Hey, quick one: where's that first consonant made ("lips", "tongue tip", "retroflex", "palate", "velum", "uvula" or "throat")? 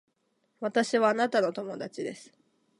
lips